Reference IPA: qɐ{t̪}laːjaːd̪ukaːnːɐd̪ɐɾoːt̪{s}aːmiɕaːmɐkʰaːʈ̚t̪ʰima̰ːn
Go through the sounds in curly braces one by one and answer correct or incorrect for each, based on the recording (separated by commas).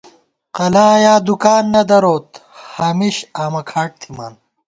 incorrect, incorrect